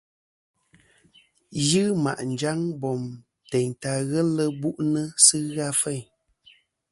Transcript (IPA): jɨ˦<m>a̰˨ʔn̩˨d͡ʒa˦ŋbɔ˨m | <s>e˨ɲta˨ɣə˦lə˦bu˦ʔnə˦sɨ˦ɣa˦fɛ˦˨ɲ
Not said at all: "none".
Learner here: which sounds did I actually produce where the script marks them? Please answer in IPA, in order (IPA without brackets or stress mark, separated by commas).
m, t